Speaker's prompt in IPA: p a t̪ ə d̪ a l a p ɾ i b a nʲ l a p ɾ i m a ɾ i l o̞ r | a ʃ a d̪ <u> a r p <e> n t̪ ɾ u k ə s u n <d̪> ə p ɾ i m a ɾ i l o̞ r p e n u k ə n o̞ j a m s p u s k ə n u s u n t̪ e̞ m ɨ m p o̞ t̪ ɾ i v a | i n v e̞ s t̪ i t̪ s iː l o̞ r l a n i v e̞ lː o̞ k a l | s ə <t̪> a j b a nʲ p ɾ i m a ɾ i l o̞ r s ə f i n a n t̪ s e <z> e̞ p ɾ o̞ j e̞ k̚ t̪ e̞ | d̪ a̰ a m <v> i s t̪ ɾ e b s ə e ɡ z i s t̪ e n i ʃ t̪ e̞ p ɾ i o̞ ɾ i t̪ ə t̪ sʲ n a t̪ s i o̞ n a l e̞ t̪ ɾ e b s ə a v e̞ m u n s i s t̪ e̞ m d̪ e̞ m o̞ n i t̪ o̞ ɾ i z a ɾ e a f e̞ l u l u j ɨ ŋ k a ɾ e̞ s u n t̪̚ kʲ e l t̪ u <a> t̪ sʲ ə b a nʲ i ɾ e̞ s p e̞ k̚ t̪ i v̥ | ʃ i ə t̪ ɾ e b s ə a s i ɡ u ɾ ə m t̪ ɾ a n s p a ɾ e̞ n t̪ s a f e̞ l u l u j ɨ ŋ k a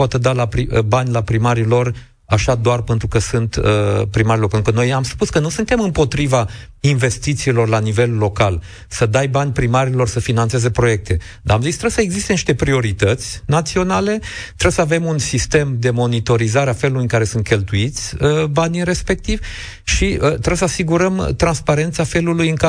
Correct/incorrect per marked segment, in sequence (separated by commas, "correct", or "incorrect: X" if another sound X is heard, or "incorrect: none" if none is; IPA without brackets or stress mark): incorrect: o, correct, incorrect: t̪, incorrect: d̪, correct, incorrect: z, incorrect: i